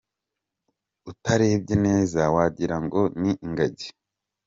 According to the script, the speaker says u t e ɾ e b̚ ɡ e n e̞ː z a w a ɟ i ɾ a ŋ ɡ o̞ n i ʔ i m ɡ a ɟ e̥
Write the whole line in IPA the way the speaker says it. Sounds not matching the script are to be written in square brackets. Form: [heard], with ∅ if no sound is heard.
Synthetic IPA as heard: u t [a] ɾ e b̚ [ɟ] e n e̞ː z a w a ɟ i ɾ a ŋ ɡ o̞ n i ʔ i [ŋ] ɡ a ɟ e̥